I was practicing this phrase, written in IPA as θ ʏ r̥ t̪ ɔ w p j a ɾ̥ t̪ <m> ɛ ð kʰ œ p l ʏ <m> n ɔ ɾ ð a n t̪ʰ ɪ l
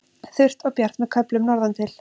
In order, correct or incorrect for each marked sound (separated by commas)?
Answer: correct, correct